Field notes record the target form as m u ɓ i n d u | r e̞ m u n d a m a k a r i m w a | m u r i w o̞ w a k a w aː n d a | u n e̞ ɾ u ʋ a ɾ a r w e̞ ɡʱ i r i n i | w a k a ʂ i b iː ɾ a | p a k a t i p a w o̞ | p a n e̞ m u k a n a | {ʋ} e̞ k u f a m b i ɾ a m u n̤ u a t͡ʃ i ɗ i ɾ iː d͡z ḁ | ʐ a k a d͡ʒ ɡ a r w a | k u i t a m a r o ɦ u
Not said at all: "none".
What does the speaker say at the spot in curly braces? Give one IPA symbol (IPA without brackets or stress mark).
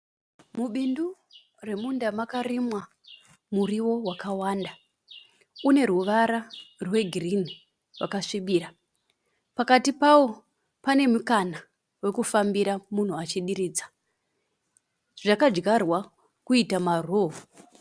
w